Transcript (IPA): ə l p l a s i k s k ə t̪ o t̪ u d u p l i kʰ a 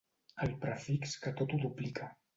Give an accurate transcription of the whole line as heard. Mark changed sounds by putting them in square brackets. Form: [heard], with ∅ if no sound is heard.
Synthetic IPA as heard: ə l p [ɾ] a [f] i k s k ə t̪ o t̪ u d u p l i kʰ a

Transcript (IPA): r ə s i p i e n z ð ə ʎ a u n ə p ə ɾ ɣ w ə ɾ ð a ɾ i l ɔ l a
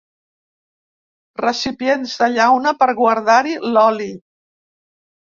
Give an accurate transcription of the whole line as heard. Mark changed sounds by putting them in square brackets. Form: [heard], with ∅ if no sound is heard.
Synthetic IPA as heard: r ə s i p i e n z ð ə ʎ a [w] n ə p ə ɾ ɣ w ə ɾ ð a ɾ i l ɔ l [i]

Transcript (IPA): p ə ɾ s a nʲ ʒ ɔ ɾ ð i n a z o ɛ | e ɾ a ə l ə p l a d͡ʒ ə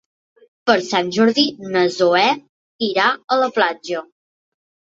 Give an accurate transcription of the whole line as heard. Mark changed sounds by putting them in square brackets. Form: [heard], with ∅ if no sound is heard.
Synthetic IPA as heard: p ə ɾ s a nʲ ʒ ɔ ɾ ð i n [ə] z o ɛ | [i] ɾ a ə l ə p l a d͡ʒ ə

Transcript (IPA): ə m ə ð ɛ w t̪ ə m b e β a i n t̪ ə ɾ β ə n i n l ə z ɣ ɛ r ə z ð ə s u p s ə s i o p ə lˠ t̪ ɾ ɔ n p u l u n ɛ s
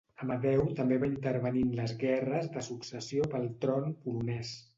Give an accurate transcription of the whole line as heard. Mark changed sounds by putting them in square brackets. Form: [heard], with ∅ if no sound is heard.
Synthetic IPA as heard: ə m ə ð ɛ w t̪ ə m b e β a i n t̪ ə ɾ β ə n i n l ə z ɣ ɛ r ə z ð ə s u [k] s ə s i o p ə lˠ t̪ ɾ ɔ n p u l u n ɛ s

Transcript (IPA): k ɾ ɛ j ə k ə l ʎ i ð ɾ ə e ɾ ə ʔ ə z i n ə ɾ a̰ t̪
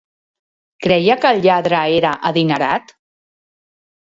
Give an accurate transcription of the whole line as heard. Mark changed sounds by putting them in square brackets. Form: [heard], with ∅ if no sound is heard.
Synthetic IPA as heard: k ɾ ɛ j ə k ə l ʎ [a] ð ɾ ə e ɾ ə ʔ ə [ð] i n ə ɾ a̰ t̪

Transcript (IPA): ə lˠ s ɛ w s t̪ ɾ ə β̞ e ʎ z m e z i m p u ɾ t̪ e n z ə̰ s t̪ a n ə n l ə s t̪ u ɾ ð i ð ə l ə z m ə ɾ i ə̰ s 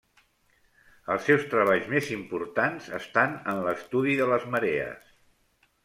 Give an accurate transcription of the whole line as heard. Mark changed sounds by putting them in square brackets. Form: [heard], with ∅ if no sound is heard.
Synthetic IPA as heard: ə lˠ s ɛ w s t̪ ɾ ə β̞ [a] ʎ z m e z i m p u ɾ t̪ [a] n z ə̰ s t̪ a n ə n l ə s t̪ u [∅] ð i ð ə l ə z m ə ɾ [e] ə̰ s

